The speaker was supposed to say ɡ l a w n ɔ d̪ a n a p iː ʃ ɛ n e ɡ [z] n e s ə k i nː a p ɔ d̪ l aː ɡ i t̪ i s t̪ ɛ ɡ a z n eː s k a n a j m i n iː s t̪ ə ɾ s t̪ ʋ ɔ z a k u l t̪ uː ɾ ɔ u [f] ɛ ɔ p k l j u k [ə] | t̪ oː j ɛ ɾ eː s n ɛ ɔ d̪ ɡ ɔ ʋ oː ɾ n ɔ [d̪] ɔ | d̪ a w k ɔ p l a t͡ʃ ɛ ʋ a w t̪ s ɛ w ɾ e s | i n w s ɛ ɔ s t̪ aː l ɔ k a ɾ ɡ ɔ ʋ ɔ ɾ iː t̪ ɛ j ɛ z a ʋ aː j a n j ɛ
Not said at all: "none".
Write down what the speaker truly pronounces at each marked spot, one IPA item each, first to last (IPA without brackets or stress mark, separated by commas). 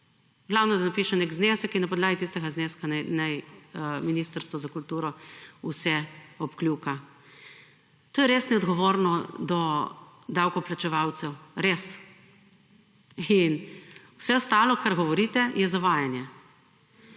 z, s, a, d̪